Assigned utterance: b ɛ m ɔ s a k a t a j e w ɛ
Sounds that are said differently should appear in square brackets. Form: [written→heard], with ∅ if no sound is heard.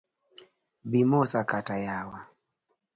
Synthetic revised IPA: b [ɛ→i] m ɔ s a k a t a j [e→a] w [ɛ→a]